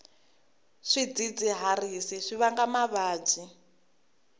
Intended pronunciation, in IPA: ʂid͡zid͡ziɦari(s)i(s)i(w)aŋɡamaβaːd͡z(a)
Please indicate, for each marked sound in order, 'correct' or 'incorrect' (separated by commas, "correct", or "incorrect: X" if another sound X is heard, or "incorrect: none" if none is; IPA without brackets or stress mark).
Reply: correct, incorrect: ʂ, incorrect: β, incorrect: i